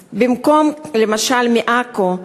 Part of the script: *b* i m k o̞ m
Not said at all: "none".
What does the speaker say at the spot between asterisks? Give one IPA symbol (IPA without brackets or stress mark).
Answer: b